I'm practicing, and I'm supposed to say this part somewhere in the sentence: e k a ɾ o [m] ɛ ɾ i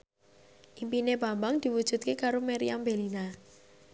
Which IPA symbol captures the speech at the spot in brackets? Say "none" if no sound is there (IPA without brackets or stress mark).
m